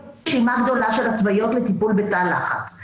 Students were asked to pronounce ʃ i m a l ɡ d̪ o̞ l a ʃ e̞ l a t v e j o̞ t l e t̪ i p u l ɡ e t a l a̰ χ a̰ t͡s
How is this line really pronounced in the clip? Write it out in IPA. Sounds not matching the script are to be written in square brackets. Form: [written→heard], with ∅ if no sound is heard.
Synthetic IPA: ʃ i m a [l→∅] ɡ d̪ o̞ l a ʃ e̞ l a t v [e→a] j o̞ t l e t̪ i p u l [ɡ→b] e t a l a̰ χ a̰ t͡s